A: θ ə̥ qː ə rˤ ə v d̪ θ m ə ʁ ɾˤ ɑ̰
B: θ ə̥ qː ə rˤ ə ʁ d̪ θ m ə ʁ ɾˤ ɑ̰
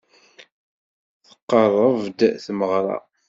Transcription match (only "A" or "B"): A